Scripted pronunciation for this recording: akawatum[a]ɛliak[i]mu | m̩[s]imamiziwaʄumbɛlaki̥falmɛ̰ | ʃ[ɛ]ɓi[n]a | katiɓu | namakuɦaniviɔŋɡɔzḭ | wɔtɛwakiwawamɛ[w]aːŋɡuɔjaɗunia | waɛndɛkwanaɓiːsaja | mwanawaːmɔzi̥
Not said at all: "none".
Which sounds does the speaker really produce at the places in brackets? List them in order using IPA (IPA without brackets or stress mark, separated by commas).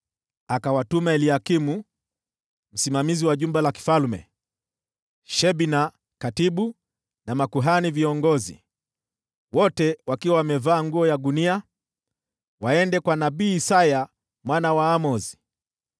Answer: a, i, s, ɛ, n, v